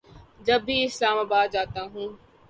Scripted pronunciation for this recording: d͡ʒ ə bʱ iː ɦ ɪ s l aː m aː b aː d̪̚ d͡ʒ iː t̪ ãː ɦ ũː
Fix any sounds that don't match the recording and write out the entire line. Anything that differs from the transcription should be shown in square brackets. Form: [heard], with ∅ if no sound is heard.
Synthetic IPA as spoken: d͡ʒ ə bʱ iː [∅] ɪ s l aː m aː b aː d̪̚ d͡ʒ [aː] t̪ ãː ɦ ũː